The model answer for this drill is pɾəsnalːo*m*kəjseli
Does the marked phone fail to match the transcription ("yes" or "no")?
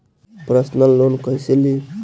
yes